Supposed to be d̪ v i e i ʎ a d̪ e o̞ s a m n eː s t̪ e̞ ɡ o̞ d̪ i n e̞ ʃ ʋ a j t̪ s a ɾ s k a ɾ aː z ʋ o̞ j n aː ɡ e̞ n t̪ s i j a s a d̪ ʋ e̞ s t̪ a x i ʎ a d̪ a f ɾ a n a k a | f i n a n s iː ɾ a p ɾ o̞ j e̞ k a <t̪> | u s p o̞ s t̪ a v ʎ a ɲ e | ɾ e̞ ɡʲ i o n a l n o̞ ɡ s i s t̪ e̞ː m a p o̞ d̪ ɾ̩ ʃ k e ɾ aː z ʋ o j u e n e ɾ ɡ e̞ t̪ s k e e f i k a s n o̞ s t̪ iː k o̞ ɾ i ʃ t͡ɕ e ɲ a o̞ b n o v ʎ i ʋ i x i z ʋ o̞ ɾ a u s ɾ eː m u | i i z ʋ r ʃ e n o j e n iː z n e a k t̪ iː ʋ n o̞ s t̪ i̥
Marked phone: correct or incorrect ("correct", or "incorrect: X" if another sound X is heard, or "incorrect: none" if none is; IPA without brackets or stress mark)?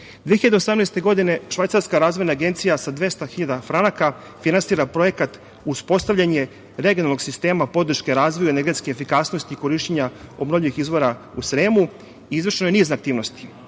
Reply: correct